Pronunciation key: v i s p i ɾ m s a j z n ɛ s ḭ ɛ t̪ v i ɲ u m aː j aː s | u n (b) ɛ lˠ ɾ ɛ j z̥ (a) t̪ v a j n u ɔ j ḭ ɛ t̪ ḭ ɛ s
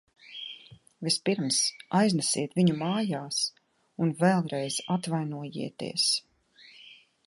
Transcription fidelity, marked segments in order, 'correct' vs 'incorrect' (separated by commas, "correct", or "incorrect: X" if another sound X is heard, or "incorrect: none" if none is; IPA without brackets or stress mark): incorrect: v, correct